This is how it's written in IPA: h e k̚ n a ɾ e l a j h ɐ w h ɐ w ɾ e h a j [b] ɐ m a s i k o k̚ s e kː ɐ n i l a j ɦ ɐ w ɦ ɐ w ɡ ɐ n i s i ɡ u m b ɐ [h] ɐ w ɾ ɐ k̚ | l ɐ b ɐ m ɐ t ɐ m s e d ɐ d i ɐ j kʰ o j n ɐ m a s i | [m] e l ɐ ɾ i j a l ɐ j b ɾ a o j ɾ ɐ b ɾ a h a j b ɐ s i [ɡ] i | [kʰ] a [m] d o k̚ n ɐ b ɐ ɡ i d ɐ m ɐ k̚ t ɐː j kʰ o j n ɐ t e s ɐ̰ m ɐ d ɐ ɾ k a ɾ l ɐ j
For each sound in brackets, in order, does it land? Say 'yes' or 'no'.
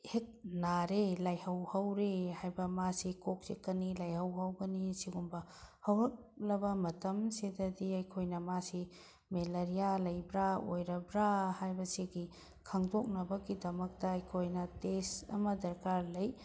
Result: yes, yes, yes, yes, yes, no

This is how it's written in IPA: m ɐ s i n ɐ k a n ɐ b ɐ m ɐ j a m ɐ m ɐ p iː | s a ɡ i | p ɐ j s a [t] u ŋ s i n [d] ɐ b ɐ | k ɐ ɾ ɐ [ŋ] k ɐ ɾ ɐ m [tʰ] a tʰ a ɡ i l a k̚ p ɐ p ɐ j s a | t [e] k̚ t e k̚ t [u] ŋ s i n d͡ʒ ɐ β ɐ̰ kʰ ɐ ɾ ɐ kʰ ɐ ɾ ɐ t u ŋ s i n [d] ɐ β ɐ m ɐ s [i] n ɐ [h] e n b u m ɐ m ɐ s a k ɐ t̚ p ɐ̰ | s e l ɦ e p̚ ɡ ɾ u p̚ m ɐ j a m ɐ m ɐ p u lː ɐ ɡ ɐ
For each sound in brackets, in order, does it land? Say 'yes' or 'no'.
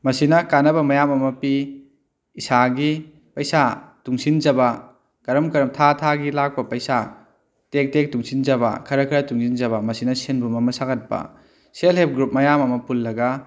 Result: yes, no, no, yes, yes, yes, no, yes, no

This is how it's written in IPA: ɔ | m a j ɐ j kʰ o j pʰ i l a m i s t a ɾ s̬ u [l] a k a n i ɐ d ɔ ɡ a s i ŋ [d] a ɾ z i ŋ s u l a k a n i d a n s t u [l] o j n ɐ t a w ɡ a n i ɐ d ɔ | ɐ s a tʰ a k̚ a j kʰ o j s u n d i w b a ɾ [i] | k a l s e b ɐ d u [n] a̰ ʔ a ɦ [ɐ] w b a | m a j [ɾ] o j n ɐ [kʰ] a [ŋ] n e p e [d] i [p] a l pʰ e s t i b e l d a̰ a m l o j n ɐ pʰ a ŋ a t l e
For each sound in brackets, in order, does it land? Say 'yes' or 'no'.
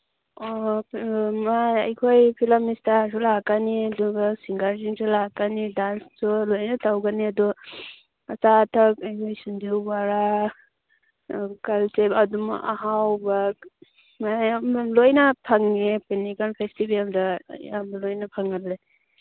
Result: yes, no, yes, no, no, no, no, no, yes, no, no

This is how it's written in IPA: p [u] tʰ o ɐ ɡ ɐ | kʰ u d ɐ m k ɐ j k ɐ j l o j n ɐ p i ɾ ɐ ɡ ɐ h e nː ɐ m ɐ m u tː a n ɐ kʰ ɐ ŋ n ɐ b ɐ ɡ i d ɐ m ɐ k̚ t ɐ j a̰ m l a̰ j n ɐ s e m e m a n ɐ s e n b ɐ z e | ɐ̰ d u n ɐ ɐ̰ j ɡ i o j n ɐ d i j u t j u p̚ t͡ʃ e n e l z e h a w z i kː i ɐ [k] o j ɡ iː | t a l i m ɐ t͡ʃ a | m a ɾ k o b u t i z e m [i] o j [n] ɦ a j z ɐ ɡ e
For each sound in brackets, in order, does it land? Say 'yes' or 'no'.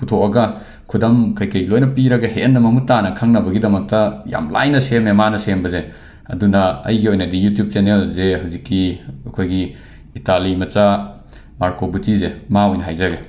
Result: yes, no, no, yes

